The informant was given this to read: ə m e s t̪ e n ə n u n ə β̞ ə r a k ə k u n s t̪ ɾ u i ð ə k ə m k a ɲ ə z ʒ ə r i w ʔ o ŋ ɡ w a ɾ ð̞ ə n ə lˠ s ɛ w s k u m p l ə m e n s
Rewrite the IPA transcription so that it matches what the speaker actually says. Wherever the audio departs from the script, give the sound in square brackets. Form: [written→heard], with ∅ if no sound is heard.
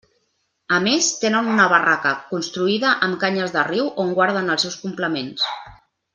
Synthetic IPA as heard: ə m e s t̪ e n ə n u n ə β̞ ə r a k ə k u n s t̪ ɾ u i ð ə [k→ʔ] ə m k a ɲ ə z [ʒ→ð] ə r i w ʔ o ŋ ɡ w a ɾ ð̞ ə n ə lˠ s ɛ w s k u m p l ə m e n s